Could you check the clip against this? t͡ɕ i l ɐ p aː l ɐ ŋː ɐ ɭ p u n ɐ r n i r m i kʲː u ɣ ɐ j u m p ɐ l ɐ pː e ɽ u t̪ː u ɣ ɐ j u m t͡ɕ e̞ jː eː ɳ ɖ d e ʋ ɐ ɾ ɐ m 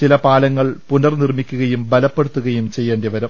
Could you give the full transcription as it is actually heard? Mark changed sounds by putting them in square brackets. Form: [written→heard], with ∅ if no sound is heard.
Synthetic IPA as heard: t͡ɕ i l ɐ p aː l ɐ ŋː ɐ ɭ p u n ɐ r n i r m i kʲː u ɣ ɐ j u m [p→b] ɐ l ɐ pː e ɽ u t̪ː u ɣ ɐ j u m t͡ɕ e̞ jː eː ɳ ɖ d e ʋ ɐ ɾ ɐ m